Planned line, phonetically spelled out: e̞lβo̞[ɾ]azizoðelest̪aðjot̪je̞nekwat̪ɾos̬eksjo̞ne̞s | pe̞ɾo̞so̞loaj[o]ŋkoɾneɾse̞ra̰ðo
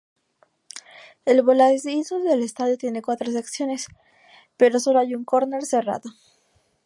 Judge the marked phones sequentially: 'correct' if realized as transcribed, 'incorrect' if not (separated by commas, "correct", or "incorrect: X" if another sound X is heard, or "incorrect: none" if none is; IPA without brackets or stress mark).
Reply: incorrect: l, incorrect: u